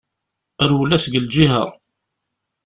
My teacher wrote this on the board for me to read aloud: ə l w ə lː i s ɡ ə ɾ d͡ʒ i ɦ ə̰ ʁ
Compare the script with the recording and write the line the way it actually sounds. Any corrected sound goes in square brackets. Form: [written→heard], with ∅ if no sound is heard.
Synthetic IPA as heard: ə [l→ɾ] w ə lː [i→æ] s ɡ ə [ɾ→l] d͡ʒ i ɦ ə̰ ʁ